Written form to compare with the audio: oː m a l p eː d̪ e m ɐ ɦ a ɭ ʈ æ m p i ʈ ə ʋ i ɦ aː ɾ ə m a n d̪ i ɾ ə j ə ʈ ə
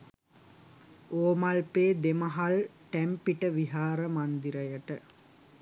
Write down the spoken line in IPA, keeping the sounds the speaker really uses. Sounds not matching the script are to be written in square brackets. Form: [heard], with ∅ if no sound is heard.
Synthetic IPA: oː m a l p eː d̪ e m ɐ ɦ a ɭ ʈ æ m p i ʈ ə ʋ i ɦ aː ɾ ə m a n d̪ i ɾ ə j ə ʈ ə